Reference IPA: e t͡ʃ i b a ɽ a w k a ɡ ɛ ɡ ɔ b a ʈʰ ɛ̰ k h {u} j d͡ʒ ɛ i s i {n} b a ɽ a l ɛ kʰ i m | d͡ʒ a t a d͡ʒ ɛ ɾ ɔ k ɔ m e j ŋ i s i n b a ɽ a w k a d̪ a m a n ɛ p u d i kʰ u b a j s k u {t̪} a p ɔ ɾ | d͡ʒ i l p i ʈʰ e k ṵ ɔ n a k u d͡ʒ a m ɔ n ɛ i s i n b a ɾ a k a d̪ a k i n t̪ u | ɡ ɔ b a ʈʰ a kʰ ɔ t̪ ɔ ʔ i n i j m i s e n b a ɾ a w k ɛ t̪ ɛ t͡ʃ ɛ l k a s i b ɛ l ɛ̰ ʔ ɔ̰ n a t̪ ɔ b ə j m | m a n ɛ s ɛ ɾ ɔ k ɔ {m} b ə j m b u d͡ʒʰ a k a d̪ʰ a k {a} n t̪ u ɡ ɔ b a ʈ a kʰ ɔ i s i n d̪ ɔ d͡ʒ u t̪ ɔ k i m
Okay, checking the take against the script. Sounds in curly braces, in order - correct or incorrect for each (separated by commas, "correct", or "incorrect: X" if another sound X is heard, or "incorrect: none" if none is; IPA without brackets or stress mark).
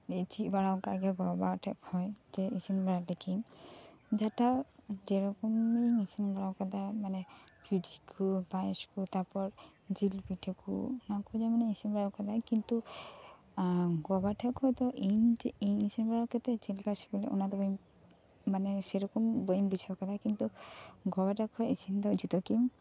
incorrect: ɔ, correct, correct, correct, incorrect: i